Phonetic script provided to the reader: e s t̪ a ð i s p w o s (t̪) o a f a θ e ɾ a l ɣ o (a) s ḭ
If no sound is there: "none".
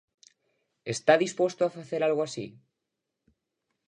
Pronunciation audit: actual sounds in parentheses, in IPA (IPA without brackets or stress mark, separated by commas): t̪, a